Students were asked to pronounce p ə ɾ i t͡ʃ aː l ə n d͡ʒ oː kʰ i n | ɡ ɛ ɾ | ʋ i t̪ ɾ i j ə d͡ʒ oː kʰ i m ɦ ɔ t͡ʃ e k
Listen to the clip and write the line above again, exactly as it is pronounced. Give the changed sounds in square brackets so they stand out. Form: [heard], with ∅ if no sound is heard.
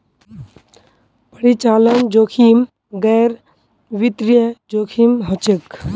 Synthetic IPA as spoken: p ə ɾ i t͡ʃ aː l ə n d͡ʒ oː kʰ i [m] | ɡ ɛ ɾ | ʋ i t̪ ɾ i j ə d͡ʒ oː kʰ i m ɦ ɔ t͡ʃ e k